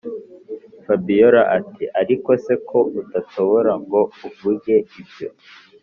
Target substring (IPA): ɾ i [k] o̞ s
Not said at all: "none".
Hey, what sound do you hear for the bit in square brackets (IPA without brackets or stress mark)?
k